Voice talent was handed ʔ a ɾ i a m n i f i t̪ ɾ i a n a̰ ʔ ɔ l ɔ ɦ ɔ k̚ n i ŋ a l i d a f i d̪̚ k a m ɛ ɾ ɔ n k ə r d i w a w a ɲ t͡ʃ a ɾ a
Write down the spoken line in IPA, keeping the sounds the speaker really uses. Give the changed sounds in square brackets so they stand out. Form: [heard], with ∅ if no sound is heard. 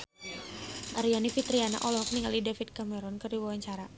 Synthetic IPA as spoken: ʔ a ɾ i a [∅] n i f i t̪ ɾ i a n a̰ ʔ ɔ l ɔ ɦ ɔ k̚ n i ŋ a l i d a f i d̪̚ k a m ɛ ɾ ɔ n k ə r d i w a w a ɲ t͡ʃ a ɾ a